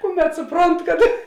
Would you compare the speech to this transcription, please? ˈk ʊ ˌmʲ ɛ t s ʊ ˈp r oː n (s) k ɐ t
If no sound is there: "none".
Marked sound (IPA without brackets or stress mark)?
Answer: t